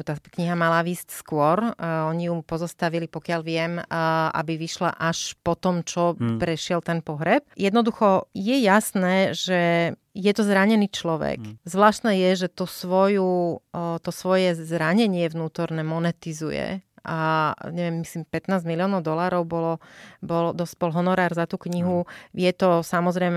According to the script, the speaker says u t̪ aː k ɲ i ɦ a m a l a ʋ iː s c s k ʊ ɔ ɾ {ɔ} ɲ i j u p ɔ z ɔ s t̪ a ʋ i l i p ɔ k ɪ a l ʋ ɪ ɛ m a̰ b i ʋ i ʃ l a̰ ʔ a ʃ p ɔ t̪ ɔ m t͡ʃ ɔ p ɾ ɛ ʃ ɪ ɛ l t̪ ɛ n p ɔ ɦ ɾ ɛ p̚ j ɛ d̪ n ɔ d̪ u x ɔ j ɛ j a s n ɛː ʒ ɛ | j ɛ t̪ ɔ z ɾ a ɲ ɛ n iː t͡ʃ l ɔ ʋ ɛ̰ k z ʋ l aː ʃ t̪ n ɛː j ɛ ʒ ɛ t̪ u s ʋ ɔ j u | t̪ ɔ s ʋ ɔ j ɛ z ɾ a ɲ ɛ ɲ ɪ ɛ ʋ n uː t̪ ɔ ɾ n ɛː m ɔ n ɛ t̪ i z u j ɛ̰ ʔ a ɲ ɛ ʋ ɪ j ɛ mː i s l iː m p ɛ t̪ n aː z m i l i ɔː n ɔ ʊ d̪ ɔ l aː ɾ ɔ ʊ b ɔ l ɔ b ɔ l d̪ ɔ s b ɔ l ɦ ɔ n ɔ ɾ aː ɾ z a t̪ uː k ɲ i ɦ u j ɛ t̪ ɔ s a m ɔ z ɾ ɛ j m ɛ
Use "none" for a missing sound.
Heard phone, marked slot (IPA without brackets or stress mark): ɔ